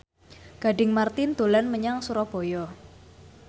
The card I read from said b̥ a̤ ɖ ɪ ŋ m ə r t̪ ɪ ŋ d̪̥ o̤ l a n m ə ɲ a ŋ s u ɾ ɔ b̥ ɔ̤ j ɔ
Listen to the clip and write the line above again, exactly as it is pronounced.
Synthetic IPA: ɡ̥ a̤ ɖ ɪ ŋ m a r t̪ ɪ n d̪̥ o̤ l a n m ə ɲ a ŋ s u ɾ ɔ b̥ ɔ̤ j ɔ

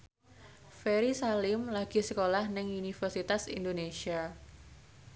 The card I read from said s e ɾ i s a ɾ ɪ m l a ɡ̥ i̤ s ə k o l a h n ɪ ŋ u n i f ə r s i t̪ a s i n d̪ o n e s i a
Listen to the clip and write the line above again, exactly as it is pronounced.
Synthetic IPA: f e ɾ i s a l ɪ m l a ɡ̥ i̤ s ə k o l a h n ɪ ŋ u n i f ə r s i t̪ a s i n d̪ o n e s i a

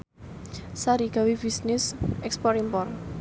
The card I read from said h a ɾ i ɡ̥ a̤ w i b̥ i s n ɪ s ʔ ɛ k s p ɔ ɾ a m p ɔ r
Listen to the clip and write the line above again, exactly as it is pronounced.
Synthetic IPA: s a ɾ i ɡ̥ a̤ w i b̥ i s n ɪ s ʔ ɛ k s p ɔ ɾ i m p ɔ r

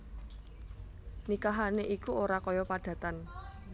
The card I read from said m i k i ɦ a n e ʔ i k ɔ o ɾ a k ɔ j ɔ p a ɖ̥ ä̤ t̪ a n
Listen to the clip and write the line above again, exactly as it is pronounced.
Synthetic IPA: n i k a ɦ a n e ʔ i k u o ɾ a k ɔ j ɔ p a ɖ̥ ä̤ t̪ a n

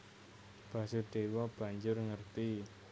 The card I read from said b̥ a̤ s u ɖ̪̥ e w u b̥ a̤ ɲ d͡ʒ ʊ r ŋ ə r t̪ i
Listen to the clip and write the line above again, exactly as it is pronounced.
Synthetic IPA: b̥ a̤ s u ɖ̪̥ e w ɔ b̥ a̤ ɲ d͡ʒ ʊ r ŋ ə r t̪ i

